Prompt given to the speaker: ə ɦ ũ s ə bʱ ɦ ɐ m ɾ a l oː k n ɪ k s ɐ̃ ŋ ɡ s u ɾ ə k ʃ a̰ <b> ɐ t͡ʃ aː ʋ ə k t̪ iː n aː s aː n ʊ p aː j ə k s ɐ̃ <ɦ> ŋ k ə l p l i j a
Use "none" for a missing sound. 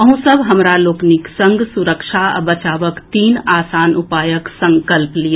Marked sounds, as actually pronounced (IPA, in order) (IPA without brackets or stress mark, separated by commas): b, none